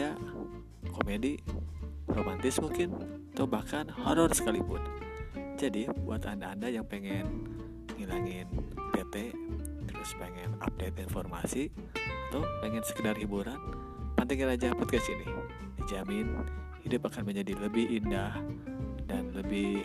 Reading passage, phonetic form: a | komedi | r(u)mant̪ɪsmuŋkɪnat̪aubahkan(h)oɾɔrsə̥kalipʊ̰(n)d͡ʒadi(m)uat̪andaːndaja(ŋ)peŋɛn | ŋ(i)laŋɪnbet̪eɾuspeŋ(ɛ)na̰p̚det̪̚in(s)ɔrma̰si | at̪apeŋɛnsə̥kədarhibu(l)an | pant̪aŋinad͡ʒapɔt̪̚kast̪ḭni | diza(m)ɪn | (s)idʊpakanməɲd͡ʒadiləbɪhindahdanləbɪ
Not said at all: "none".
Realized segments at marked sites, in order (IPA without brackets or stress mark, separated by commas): o, h, n, b, ŋ, i, ɛ, f, ɾ, m, h